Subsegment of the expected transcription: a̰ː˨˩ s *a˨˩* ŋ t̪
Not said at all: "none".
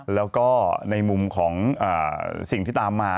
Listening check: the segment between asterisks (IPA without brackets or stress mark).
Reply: i˨˩